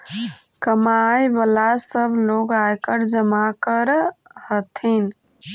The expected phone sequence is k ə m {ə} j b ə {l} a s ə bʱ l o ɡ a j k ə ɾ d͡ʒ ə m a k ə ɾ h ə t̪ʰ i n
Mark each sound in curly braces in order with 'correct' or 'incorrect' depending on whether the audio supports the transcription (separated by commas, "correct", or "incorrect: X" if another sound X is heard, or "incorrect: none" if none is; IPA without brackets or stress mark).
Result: incorrect: a, correct